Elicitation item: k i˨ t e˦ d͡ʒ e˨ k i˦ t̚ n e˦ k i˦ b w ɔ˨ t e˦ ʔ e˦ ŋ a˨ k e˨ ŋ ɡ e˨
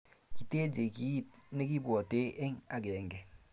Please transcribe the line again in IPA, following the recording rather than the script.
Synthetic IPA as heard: k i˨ t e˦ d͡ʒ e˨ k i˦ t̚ n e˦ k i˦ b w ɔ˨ t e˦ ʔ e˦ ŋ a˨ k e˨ ŋ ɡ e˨